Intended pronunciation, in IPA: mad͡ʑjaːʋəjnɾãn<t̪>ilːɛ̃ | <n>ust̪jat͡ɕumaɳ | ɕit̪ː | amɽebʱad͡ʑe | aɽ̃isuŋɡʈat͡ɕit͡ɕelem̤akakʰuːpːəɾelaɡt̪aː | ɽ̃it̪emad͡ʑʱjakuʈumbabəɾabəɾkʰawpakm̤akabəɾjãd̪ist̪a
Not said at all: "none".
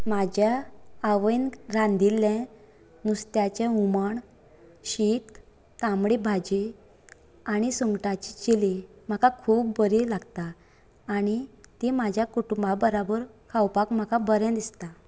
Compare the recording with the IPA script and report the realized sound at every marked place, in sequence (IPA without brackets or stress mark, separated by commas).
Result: d̪, n